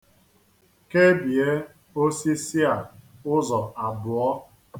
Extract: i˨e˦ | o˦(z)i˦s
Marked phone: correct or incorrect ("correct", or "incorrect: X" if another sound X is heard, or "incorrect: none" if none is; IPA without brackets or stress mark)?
incorrect: s